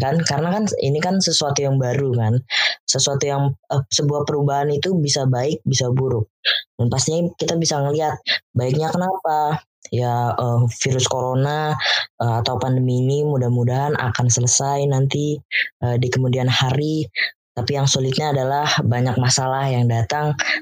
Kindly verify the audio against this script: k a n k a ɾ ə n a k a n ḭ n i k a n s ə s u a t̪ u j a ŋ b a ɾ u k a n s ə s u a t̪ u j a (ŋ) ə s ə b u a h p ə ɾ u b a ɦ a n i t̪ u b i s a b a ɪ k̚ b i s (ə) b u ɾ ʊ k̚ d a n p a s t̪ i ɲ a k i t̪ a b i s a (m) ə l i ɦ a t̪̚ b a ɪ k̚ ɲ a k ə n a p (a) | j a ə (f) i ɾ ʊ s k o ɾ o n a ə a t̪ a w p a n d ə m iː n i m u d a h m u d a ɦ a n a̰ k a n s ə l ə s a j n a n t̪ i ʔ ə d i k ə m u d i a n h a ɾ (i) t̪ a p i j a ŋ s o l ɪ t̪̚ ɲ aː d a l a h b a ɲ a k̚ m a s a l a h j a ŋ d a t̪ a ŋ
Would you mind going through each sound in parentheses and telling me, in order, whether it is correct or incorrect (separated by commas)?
correct, incorrect, incorrect, correct, correct, correct